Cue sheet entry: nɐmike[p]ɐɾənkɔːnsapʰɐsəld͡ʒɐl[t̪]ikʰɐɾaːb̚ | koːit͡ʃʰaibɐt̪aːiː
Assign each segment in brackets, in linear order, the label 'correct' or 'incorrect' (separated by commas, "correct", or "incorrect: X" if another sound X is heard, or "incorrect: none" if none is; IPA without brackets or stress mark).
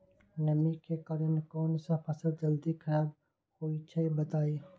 incorrect: k, incorrect: d̪